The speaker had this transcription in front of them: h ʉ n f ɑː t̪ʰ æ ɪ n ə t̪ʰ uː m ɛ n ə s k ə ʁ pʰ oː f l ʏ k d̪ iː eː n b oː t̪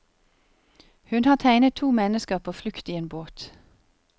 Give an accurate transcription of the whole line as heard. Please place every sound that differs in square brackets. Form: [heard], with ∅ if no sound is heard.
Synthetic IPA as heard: h ʉ n [h] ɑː t̪ʰ æ ɪ n ə t̪ʰ uː m ɛ n ə s k ə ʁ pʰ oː f l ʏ k [t̪] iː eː n b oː t̪